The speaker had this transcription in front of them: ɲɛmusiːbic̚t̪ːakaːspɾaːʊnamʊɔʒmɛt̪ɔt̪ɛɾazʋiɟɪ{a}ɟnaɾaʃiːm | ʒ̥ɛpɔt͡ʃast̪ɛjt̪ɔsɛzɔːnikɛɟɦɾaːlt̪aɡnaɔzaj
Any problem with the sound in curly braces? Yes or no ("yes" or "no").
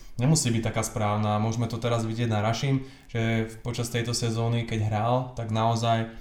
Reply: yes